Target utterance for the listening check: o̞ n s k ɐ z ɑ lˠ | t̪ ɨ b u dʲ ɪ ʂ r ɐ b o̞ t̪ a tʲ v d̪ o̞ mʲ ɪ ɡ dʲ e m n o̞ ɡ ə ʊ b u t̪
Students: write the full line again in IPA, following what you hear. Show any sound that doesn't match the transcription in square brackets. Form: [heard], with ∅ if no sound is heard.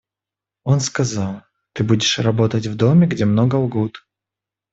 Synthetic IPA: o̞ n s k ɐ z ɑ lˠ | t̪ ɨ b u dʲ ɪ ʂ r ɐ b o̞ t̪ [ə] tʲ v d̪ o̞ mʲ ɪ ɡ dʲ e m n o̞ ɡ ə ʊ [ɡ] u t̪